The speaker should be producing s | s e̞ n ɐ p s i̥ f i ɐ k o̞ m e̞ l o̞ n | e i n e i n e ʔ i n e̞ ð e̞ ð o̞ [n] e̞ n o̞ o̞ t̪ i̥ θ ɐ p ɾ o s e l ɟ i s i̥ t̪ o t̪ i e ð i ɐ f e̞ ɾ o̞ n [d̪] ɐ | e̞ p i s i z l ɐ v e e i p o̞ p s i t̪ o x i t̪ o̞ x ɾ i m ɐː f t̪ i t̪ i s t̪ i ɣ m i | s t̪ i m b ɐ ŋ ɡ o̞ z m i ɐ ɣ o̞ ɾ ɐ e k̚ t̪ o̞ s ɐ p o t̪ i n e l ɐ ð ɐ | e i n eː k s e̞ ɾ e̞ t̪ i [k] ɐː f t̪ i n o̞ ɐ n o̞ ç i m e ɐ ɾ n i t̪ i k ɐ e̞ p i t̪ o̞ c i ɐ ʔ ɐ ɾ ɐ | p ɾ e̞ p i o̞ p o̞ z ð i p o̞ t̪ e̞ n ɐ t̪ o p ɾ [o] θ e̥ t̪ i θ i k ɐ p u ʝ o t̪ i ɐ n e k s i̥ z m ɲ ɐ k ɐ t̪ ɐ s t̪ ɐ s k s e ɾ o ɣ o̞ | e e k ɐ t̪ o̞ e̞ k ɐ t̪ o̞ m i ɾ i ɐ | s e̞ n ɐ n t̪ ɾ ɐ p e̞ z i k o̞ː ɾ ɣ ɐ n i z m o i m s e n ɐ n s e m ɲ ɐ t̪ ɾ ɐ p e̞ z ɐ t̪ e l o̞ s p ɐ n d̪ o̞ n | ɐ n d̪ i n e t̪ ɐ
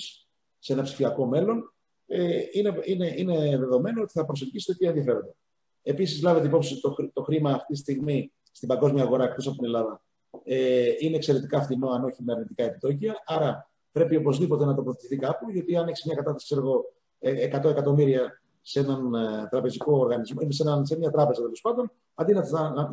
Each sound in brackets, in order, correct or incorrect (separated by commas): incorrect, correct, correct, correct